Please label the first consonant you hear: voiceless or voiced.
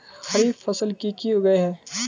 voiceless